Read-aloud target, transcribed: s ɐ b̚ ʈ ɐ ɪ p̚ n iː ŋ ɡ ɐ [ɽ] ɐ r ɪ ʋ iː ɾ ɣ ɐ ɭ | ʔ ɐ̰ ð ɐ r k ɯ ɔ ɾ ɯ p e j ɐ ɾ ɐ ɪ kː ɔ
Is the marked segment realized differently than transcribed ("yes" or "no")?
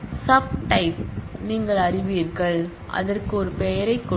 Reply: yes